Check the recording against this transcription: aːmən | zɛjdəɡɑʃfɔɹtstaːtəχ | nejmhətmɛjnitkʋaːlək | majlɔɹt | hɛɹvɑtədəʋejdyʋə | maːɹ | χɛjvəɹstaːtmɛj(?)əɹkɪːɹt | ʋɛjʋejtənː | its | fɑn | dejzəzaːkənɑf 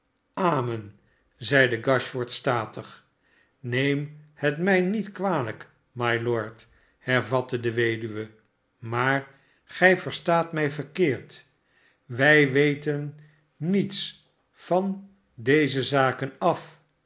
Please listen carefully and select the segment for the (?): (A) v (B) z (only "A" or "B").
A